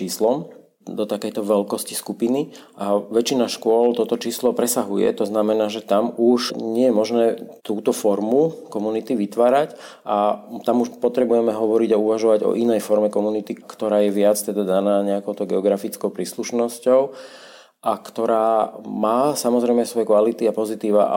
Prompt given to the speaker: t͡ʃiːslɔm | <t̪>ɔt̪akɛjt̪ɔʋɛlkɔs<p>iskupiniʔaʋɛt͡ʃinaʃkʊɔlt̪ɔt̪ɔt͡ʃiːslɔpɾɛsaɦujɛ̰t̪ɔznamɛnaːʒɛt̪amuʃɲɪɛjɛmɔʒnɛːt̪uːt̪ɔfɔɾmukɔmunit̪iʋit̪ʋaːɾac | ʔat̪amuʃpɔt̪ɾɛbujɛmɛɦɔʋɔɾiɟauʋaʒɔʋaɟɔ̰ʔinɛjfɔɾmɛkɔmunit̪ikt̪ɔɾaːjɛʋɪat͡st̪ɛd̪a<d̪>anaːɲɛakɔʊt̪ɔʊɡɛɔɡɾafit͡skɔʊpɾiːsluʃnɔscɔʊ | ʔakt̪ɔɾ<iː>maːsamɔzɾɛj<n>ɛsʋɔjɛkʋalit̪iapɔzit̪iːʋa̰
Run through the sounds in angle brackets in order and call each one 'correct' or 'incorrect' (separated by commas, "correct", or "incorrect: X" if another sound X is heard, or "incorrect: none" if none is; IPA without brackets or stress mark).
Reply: incorrect: d̪, incorrect: c, correct, incorrect: aː, incorrect: m